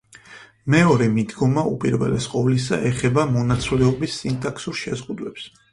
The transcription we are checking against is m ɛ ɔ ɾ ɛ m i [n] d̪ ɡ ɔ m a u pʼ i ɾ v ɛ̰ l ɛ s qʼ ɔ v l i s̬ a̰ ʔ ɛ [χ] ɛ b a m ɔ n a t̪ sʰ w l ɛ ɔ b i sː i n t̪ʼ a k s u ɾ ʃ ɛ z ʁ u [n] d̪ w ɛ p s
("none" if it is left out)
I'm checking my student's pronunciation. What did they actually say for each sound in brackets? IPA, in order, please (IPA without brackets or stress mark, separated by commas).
none, χ, none